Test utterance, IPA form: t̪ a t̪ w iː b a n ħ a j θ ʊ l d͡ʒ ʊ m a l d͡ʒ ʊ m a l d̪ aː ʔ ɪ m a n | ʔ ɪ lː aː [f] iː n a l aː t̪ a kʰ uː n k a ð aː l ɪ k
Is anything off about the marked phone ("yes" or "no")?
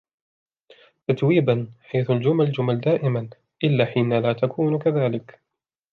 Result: yes